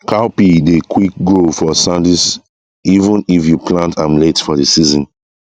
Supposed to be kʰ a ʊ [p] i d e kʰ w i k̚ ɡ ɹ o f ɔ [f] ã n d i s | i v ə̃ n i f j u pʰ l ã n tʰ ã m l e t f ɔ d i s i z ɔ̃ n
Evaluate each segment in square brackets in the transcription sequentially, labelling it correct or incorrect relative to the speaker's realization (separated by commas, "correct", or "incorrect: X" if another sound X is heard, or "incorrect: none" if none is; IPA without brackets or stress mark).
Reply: correct, incorrect: s